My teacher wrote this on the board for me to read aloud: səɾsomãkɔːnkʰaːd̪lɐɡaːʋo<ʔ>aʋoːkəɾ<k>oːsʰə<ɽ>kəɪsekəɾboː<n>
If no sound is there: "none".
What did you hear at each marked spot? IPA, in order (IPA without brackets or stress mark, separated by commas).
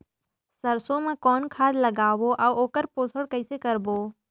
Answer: ʔ, p, ɽ, none